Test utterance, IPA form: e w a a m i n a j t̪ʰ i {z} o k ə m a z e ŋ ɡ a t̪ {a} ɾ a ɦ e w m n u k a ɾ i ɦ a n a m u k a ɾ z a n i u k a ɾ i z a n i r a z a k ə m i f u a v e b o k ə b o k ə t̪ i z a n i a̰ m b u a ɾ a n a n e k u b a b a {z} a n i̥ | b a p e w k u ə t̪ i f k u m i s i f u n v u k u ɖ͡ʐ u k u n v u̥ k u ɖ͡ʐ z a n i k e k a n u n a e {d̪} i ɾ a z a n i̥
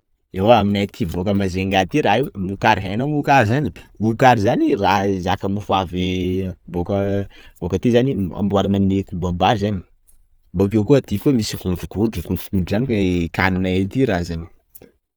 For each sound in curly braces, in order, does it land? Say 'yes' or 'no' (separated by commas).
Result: no, no, yes, no